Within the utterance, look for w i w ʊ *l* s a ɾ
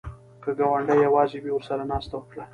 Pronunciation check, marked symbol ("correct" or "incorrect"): incorrect